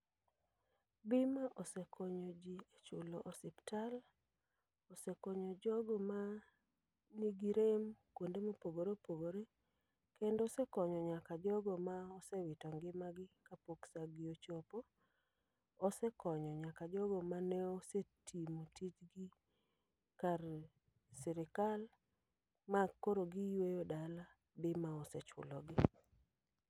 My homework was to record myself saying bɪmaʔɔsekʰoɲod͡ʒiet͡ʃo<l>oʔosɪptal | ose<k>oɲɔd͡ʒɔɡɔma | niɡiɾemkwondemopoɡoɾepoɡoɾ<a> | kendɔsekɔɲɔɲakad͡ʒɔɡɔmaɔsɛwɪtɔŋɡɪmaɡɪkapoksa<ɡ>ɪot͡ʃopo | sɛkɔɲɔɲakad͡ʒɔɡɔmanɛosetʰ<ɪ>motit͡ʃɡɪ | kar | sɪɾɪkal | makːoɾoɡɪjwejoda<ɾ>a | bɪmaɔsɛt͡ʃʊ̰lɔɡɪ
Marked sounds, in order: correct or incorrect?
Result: correct, correct, incorrect: e, correct, incorrect: i, incorrect: l

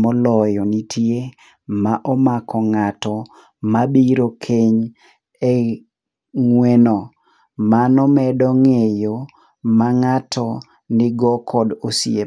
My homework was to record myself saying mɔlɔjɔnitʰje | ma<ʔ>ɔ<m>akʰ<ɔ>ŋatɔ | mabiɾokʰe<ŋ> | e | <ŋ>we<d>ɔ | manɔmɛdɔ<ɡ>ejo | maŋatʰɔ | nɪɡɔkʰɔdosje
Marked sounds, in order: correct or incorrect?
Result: correct, correct, correct, incorrect: ɲ, correct, incorrect: n, incorrect: ŋ

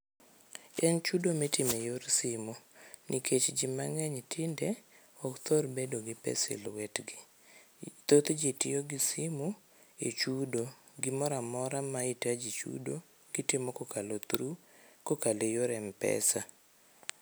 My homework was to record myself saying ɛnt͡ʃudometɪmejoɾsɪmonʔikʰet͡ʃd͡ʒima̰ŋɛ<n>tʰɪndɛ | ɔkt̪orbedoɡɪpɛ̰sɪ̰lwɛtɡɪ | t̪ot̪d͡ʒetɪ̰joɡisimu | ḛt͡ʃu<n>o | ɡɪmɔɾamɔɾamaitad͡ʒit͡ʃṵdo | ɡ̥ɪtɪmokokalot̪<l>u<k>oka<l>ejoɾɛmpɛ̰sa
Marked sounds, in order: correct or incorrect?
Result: incorrect: ɲ, incorrect: d, incorrect: ɾ, correct, correct

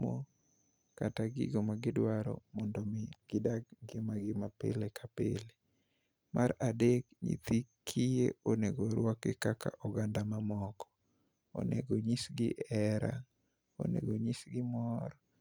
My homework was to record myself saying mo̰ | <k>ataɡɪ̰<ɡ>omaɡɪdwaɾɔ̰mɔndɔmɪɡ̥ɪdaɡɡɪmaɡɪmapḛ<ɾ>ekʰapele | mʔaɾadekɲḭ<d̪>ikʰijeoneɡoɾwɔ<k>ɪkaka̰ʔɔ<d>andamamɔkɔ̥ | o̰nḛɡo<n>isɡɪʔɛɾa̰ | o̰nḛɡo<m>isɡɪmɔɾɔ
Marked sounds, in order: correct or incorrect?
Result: correct, correct, incorrect: l, incorrect: t̪, correct, incorrect: ɡ, incorrect: ɲ, incorrect: ɲ

